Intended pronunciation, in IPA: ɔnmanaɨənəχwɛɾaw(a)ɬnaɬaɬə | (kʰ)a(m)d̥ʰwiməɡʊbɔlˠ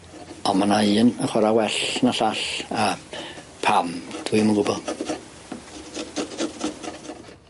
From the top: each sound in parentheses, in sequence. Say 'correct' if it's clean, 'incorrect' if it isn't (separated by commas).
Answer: incorrect, incorrect, correct